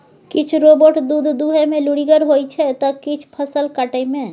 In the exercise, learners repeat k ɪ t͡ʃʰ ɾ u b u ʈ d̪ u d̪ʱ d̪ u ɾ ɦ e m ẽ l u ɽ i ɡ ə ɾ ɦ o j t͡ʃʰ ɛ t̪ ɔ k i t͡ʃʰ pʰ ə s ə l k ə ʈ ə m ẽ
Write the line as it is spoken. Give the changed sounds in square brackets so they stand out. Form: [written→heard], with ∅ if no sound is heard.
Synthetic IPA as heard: k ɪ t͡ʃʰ ɾ [u→o] b [u→o] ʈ d̪ u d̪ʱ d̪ u [ɾ→∅] ɦ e m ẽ l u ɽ i ɡ ə ɾ ɦ o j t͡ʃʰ ɛ t̪ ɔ k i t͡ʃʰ pʰ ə s ə l k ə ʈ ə m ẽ